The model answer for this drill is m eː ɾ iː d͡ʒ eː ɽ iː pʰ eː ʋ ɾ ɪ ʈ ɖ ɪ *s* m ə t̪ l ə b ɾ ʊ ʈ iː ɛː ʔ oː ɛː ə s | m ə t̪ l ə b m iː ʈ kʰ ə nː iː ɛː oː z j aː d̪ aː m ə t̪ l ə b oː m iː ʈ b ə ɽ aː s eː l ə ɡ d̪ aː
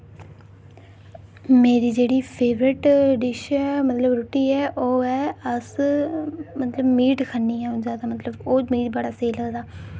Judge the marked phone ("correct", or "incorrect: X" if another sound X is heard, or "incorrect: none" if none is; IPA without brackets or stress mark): incorrect: ʃ